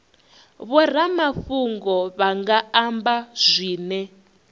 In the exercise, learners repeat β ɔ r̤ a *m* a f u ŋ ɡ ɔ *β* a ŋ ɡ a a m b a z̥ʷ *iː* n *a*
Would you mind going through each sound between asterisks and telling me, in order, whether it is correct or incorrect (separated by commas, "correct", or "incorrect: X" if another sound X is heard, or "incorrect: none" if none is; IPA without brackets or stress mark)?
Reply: correct, correct, correct, incorrect: ɛ